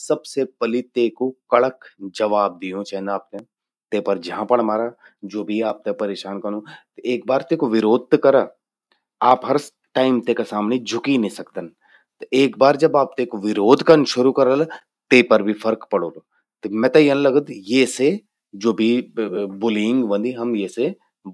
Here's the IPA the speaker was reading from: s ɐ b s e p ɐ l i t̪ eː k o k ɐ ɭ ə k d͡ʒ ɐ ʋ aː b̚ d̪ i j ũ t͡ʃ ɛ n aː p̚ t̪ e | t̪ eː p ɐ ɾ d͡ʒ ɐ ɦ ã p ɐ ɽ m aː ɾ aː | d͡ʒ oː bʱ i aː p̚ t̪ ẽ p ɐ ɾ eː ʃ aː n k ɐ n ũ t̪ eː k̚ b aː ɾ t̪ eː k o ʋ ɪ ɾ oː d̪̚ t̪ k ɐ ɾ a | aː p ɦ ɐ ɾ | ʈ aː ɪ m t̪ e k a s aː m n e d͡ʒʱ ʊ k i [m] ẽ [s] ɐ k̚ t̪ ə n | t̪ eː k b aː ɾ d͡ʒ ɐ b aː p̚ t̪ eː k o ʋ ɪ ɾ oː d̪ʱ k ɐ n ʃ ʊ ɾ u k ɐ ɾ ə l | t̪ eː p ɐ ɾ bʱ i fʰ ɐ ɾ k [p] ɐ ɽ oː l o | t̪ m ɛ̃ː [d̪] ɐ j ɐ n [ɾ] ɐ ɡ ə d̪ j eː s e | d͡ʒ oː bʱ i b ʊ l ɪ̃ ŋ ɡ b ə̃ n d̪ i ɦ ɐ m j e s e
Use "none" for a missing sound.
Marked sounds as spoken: n, s, p, t̪, l

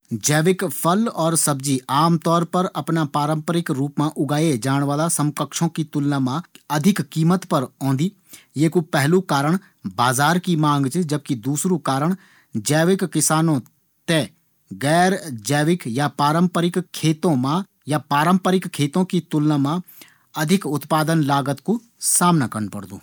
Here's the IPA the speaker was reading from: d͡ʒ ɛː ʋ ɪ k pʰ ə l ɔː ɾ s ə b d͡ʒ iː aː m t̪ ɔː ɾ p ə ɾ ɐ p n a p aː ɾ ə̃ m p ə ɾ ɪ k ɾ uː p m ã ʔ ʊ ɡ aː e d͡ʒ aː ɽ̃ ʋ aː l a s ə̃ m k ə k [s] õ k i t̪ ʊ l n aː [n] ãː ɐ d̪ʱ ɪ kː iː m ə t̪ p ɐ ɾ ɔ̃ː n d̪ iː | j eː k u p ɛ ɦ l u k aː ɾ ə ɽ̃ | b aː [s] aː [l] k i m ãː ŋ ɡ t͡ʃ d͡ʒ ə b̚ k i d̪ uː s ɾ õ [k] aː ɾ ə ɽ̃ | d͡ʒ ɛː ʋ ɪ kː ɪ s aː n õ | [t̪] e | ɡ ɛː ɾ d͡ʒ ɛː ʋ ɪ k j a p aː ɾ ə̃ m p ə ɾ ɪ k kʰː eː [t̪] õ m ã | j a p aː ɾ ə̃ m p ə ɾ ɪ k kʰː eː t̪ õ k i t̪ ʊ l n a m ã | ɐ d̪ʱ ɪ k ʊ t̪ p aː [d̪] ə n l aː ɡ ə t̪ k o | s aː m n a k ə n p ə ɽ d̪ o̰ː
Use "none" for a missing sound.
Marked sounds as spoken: ʃ, m, z, ɾ, k, t̪, t̪, d̪

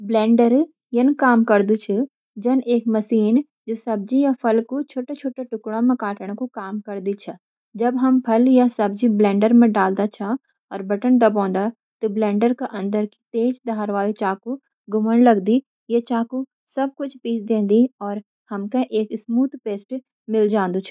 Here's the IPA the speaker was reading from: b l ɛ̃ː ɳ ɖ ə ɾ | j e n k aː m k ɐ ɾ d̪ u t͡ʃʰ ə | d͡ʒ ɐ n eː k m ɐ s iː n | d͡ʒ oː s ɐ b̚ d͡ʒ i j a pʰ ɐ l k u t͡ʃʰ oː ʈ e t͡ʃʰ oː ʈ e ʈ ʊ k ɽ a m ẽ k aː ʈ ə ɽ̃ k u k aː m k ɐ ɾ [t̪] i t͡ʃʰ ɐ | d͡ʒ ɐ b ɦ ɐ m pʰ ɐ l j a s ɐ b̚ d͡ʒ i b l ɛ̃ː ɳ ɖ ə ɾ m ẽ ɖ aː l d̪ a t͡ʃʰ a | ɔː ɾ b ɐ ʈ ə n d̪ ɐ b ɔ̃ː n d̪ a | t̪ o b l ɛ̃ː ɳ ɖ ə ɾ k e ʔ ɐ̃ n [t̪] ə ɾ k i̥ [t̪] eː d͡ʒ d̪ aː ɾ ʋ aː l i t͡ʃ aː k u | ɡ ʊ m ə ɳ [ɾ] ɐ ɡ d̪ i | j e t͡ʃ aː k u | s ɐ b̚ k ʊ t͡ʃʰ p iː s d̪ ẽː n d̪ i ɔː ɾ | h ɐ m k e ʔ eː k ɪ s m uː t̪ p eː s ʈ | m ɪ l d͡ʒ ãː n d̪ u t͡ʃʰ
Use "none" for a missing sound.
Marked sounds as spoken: d̪, d̪, t̪, l

